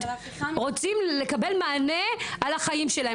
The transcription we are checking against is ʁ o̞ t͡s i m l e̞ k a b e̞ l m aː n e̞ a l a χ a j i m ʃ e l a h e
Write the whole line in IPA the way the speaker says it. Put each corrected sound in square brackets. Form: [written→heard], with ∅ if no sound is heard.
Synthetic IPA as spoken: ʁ o̞ t͡s i m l e̞ k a b e̞ l m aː n e̞ a l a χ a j i m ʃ e l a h e